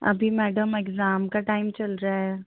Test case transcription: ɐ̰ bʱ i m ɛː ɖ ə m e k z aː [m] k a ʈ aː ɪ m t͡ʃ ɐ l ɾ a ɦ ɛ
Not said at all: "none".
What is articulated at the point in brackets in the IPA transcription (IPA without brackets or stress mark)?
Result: m